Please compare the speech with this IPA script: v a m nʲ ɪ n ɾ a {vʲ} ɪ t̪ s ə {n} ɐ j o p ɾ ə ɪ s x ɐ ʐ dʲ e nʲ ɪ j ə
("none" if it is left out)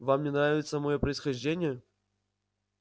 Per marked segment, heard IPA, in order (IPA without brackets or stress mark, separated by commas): vʲ, m